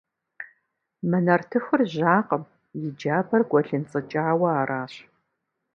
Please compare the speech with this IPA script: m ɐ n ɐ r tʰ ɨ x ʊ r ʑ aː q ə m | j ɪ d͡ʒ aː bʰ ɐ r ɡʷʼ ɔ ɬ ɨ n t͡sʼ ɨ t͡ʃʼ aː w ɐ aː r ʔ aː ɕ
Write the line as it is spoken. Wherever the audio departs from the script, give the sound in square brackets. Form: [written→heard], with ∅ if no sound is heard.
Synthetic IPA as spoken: m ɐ n ɐ r tʰ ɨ x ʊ r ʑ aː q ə m | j ɪ d͡ʒ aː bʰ ɐ r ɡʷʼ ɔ ɬ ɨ n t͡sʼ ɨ t͡ʃʼ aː w ɐ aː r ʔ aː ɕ